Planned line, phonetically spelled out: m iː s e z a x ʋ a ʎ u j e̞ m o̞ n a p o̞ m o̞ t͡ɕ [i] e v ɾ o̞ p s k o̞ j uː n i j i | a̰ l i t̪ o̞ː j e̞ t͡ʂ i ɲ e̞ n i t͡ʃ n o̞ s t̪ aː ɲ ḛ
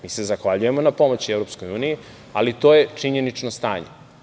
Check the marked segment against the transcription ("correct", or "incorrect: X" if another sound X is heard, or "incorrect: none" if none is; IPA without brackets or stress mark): correct